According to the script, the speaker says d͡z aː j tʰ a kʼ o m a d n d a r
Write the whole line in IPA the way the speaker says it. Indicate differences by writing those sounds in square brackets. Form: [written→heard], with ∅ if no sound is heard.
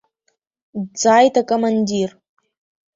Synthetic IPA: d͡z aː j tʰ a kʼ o m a [d→∅] n d [a→i] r